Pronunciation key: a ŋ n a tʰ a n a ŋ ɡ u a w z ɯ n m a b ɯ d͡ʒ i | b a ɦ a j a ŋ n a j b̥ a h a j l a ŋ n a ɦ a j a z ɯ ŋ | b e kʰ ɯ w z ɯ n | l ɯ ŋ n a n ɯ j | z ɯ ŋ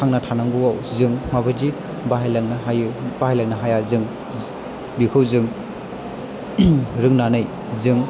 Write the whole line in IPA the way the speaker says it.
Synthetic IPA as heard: a ŋ n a tʰ a n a ŋ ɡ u a w z ɯ ŋ m a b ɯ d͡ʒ i | b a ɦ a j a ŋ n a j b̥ a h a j l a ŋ n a ɦ a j a z ɯ ŋ | b i kʰ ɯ w z ɯ ŋ | ɾ ɯ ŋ n a n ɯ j | z ɯ ŋ